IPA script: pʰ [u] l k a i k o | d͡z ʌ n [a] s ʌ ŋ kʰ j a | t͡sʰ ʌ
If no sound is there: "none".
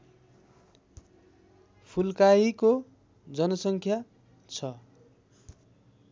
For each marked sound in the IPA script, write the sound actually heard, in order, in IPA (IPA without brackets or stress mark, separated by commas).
u, ʌ